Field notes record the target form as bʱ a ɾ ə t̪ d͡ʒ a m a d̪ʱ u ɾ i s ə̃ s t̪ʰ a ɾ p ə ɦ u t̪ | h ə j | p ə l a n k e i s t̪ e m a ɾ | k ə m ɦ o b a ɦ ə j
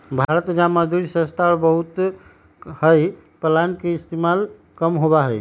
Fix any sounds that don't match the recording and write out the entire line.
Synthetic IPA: bʱ a ɾ ə t̪ d͡ʒ a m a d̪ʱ u ɾ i s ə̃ s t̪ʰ a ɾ b ə ɦ u t̪ | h ə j | p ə l a n k e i s t̪ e m a l | k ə m ɦ o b a ɦ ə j